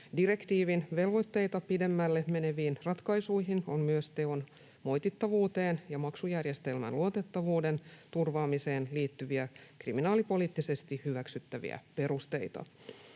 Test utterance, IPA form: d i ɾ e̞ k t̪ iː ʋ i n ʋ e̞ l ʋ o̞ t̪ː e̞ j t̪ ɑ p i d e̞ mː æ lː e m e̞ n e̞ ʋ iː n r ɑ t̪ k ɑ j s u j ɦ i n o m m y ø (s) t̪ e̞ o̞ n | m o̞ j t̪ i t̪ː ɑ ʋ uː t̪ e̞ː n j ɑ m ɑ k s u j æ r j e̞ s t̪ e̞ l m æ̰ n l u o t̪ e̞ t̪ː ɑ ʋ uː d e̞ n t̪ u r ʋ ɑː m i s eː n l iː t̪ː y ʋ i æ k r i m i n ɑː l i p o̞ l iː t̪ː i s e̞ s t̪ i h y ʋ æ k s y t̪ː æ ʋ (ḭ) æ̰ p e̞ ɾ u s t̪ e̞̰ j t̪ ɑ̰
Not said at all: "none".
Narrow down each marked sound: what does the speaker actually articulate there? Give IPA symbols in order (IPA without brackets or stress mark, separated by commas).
s, ḭ